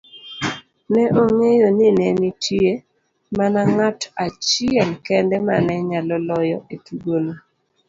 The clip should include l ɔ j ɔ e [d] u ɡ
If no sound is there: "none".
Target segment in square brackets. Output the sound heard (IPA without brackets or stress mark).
t